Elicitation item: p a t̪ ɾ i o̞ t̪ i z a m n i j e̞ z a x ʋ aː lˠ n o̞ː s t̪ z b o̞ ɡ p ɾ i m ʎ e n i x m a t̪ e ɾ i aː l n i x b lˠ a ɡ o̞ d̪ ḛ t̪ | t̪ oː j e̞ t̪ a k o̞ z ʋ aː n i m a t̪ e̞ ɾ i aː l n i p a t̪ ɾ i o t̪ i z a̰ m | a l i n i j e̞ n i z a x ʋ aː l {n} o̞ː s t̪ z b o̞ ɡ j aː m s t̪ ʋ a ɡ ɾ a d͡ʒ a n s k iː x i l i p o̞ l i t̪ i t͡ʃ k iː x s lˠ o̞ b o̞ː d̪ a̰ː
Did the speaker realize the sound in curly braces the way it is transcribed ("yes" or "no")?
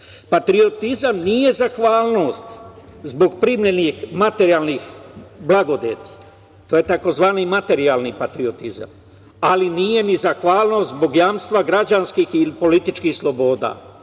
yes